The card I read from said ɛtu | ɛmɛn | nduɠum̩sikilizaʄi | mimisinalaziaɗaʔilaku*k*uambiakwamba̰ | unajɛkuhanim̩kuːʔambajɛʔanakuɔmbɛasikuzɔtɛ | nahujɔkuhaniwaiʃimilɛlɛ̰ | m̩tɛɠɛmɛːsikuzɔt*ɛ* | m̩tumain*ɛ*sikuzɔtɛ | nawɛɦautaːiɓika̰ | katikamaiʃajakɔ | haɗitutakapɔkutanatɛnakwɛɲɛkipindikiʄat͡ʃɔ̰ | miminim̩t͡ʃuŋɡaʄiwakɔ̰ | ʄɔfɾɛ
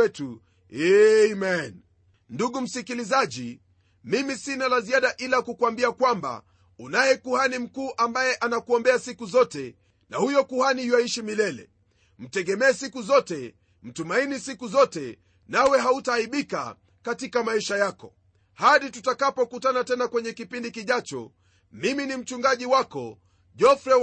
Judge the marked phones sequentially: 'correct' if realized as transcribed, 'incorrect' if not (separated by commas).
correct, correct, incorrect